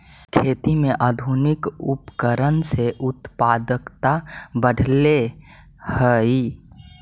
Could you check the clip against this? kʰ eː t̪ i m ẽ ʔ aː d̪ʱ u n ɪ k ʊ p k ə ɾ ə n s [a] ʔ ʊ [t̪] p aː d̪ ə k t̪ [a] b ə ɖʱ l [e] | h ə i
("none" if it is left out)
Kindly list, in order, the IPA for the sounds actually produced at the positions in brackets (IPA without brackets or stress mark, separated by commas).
e, t̪, a, e